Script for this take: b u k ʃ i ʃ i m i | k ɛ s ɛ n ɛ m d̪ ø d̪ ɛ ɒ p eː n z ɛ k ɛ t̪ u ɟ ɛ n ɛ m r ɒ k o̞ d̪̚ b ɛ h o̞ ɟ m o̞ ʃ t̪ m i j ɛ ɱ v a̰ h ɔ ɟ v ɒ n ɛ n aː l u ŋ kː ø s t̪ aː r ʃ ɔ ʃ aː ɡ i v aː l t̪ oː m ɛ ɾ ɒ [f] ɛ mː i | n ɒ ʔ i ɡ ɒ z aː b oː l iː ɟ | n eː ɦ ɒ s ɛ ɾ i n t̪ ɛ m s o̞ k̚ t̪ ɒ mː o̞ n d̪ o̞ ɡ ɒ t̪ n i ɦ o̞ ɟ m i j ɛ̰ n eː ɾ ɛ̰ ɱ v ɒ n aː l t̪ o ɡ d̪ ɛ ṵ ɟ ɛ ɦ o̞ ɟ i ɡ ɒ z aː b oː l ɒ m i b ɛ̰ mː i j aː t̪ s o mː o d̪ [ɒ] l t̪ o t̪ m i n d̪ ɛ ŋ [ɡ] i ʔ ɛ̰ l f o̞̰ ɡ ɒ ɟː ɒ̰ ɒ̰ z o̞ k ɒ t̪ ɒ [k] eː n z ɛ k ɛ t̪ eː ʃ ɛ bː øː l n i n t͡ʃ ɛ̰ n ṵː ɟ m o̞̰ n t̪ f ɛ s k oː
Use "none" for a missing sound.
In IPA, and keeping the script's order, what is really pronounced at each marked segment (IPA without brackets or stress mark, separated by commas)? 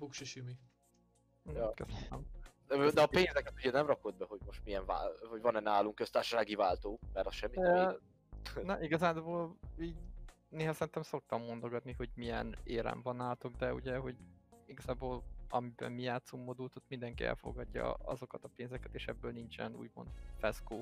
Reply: ʃ, u, k, p